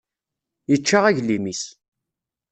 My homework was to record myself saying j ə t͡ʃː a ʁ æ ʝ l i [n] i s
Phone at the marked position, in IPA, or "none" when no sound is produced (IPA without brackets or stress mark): m